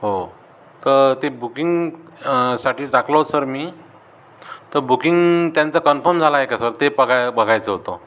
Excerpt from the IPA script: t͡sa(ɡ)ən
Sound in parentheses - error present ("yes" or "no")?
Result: yes